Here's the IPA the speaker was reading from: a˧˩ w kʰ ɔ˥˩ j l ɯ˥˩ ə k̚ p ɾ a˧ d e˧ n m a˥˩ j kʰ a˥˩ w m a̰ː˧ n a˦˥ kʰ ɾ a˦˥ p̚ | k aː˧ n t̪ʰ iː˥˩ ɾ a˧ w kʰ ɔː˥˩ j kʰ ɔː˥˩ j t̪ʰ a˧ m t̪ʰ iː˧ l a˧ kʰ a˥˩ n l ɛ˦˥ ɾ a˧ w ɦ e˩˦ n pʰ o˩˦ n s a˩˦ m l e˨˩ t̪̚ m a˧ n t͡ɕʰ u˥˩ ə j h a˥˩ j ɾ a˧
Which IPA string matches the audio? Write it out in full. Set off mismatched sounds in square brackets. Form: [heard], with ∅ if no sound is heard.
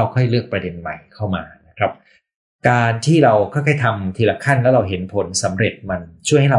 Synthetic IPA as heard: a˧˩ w kʰ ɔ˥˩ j l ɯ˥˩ ə k̚ p ɾ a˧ d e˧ n m [a˨˩] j kʰ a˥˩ w m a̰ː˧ n a˦˥ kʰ ɾ a˦˥ p̚ | k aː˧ n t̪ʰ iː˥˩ ɾ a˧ w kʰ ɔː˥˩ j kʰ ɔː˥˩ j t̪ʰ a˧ m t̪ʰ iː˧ l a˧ kʰ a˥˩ n l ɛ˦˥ ɾ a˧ w ɦ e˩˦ n pʰ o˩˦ n s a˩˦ m [ɾ] e˨˩ t̪̚ m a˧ n t͡ɕʰ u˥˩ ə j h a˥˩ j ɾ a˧